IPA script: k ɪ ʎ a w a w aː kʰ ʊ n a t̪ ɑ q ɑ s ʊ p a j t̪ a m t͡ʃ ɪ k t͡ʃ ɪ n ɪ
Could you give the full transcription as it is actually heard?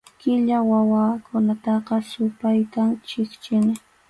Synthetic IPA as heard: k ɪ ʎ a w a w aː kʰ ʊ n a t̪ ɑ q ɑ s ʊ p a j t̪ a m t͡ʃ ɪ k t͡ʃ ɪ n ɪ